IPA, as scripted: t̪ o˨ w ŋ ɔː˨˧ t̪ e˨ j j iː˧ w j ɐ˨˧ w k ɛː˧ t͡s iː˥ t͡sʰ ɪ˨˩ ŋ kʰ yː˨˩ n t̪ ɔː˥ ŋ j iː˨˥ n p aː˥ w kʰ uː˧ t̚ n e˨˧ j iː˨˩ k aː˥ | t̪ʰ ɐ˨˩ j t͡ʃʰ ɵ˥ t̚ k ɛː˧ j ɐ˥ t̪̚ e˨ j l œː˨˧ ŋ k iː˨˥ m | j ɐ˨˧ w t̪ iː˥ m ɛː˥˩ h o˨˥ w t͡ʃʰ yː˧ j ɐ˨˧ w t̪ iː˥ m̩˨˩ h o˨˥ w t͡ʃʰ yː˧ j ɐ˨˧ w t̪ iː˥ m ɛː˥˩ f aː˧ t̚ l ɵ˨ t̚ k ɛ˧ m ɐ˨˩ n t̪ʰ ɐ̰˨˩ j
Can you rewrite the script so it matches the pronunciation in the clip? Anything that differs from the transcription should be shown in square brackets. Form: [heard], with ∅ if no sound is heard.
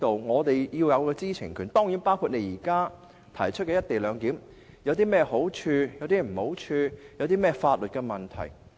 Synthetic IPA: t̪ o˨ w ŋ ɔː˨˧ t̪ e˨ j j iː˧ w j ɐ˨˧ w k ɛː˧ t͡s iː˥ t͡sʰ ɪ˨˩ ŋ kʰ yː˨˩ n t̪ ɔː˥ ŋ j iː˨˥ n p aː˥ w kʰ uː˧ t̚ n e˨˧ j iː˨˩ k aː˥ | t̪ʰ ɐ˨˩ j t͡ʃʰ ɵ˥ t̚ k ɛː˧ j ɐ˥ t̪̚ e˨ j l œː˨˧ ŋ k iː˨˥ m | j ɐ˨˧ w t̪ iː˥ m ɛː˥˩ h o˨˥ w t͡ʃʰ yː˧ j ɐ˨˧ w t̪ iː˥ m̩˨˩ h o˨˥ w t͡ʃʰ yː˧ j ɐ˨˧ w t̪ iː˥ m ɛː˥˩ f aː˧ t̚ l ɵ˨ t̚ k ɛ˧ m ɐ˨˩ n t̪ʰ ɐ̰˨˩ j